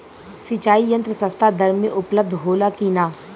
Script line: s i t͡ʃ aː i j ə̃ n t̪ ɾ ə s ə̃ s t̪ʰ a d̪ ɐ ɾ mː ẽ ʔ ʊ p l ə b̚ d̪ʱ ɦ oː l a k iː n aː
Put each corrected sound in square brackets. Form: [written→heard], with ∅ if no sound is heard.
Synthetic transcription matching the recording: s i t͡ʃ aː i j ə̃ n t̪ ɾ ə s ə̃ s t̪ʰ a d̪ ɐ ɾ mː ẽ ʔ ʊ p l ə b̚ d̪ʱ ɦ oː l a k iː n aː